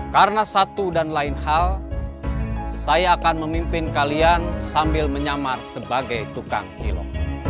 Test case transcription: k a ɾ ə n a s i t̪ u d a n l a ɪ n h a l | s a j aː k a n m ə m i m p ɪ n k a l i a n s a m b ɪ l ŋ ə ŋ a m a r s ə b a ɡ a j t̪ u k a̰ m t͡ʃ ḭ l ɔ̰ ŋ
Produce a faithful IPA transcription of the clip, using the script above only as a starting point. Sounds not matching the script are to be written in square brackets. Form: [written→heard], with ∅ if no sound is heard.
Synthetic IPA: k a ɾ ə n a s [i→a] t̪ u d a n l a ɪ n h a l | s a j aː k a n m ə m i m p ɪ n k a l i a n s a m b ɪ l [ŋ→m] ə [ŋ→ɲ] a m a r s ə b a ɡ a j t̪ u k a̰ [m→ŋ] t͡ʃ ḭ l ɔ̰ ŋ